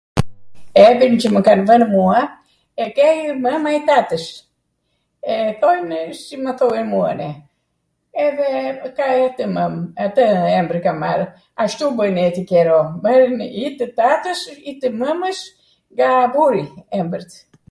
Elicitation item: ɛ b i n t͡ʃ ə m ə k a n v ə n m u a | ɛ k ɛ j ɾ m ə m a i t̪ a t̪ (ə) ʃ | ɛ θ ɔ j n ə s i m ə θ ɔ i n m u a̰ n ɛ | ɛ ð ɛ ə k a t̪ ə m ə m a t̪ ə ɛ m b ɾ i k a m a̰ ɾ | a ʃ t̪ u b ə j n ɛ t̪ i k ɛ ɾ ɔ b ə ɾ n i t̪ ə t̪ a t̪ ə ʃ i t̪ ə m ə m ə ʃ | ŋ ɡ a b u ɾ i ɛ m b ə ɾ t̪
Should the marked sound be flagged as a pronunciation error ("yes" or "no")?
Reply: no